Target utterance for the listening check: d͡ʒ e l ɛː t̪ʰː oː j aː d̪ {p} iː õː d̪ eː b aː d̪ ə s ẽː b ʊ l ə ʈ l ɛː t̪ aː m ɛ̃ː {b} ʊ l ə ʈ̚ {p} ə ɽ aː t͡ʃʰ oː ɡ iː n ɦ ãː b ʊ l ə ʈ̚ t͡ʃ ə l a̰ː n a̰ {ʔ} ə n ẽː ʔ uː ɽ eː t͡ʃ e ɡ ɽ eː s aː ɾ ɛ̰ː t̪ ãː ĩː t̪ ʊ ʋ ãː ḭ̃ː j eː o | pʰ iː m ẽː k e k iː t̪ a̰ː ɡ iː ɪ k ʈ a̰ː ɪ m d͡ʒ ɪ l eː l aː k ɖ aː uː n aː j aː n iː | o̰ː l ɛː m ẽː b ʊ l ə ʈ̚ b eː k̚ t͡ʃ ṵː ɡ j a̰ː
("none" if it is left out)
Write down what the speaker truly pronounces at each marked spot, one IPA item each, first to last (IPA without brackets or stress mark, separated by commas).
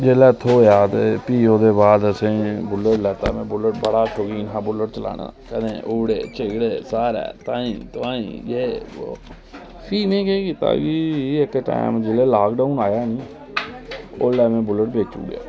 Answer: p, b, b, k